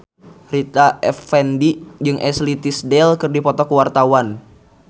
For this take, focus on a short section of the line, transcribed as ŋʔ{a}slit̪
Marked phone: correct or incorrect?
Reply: incorrect